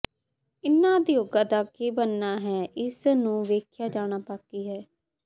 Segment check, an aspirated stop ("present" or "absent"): present